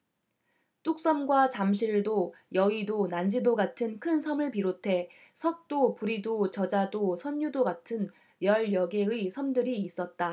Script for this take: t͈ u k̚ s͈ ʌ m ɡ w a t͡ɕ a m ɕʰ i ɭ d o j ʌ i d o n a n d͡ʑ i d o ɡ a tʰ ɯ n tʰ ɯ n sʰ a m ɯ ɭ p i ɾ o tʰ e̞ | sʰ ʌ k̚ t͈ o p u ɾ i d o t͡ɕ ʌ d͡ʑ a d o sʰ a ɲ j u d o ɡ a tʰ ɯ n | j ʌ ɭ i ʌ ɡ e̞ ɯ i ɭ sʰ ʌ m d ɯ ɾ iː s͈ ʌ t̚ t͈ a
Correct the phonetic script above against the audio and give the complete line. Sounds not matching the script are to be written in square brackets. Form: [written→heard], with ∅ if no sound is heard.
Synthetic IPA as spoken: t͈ u k̚ s͈ ʌ m ɡ w a t͡ɕ a m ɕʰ i ɭ d o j ʌ i d o n a n d͡ʑ i d o ɡ a tʰ ɯ n [tʰ→kʰ] ɯ n sʰ [a→ʌ] m ɯ ɭ p i ɾ o tʰ e̞ | sʰ ʌ k̚ t͈ o p u ɾ i d o t͡ɕ ʌ d͡ʑ a d o sʰ [a→ʌ] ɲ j u d o ɡ a tʰ ɯ n | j ʌ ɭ [i→j] ʌ ɡ e̞ ɯ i [ɭ→∅] sʰ ʌ m d ɯ ɾ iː s͈ ʌ t̚ t͈ a